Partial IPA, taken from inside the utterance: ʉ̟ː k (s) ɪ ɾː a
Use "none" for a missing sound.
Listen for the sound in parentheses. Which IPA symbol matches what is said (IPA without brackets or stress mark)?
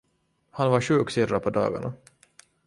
s